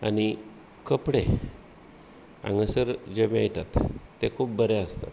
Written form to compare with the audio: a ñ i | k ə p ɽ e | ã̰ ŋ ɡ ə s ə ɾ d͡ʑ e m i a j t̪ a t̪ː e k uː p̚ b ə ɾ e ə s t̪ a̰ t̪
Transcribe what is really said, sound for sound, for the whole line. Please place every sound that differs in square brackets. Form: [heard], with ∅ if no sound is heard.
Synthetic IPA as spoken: a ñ i | k ə p ɽ e | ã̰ ŋ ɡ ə s ə ɾ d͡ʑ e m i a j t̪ a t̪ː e [kʰ] uː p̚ b ə ɾ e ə s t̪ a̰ t̪